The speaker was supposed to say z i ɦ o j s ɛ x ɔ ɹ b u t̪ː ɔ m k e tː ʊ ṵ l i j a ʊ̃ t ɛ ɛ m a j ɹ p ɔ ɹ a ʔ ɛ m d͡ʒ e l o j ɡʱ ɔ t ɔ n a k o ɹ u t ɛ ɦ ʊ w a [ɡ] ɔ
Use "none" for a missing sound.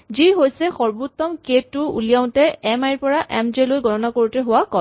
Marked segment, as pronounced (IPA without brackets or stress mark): k